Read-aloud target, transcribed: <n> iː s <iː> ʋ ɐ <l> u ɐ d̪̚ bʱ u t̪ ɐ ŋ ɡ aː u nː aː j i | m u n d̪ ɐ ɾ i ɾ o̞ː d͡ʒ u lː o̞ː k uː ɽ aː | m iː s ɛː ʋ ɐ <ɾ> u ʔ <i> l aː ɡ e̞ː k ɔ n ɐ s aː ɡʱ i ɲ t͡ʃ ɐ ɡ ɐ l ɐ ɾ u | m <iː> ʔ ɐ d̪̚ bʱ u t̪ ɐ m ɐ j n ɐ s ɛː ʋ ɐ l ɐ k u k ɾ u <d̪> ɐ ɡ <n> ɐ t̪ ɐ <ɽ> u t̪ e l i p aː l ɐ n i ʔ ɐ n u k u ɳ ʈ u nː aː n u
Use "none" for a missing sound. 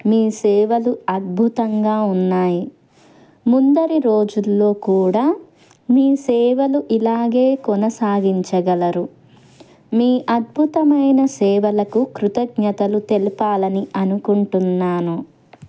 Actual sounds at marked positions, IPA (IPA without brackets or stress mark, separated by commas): m, ɛː, l, l, i, iː, t̪, ɲ, l